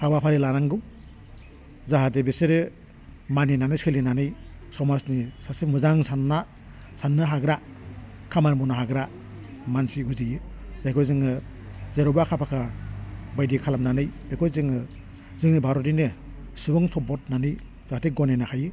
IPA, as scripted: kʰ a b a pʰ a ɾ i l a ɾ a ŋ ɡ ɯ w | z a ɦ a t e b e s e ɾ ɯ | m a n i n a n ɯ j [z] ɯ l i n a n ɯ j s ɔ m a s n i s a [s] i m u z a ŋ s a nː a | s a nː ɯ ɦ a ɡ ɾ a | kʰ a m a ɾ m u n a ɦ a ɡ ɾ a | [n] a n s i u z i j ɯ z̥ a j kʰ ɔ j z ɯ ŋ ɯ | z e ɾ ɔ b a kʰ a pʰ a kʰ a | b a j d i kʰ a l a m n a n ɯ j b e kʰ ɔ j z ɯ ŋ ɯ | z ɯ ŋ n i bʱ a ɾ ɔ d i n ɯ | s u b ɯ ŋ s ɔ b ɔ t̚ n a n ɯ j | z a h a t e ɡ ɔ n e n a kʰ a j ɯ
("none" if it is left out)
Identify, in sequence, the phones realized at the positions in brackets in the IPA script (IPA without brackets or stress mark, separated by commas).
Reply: s, s, m